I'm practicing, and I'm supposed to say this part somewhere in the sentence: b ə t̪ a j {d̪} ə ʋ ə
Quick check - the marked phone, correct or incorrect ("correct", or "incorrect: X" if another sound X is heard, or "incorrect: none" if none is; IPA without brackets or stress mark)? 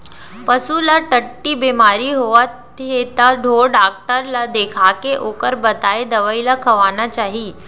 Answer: correct